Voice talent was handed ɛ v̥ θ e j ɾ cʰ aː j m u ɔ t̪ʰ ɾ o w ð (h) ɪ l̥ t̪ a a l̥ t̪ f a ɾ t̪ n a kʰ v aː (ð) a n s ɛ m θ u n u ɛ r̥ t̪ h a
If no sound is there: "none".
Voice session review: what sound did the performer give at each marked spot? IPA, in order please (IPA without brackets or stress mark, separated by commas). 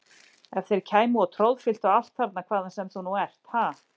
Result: f, ð